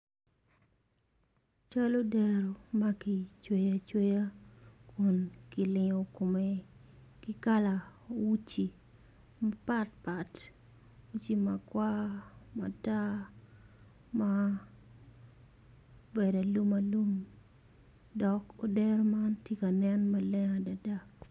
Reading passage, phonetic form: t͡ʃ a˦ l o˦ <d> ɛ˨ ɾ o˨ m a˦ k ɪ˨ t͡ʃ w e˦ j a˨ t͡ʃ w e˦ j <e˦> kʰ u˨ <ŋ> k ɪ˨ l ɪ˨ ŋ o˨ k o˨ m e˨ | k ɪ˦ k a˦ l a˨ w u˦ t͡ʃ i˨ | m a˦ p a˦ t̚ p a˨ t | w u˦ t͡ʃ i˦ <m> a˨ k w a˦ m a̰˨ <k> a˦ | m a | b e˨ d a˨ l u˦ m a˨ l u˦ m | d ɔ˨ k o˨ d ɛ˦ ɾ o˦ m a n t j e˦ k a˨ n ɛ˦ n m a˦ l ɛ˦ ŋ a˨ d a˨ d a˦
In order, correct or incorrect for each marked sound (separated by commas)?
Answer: correct, incorrect, incorrect, correct, incorrect